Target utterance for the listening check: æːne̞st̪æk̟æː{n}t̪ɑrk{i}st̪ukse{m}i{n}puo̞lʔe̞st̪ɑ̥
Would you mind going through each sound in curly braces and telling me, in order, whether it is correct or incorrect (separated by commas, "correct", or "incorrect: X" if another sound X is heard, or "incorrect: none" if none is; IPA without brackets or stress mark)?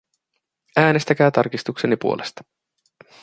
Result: incorrect: none, correct, incorrect: n, incorrect: none